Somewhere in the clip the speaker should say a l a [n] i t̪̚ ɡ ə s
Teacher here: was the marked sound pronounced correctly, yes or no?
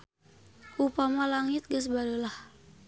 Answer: no